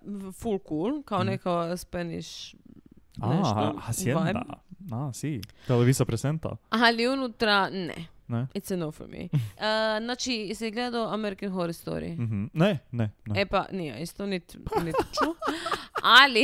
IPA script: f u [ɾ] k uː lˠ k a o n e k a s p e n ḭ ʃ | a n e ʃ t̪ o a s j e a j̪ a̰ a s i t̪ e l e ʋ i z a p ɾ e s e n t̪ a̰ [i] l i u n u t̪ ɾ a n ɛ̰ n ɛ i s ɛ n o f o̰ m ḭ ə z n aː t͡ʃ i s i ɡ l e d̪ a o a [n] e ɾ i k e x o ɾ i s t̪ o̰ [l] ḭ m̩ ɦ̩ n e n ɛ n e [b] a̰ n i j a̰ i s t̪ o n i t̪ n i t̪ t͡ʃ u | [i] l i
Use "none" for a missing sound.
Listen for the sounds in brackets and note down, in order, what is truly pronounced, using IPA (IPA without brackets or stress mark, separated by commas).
l, a, m, ɾ, p, a